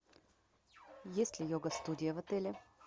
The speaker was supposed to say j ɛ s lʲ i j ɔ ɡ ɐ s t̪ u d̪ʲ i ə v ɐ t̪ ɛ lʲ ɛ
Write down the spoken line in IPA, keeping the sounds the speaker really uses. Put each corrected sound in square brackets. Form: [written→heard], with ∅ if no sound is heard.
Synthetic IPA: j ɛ s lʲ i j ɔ ɡ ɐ s t̪ u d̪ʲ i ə v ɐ t̪ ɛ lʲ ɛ